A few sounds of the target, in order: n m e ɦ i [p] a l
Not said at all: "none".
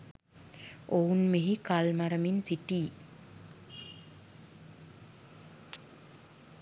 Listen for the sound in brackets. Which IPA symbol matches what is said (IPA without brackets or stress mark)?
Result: k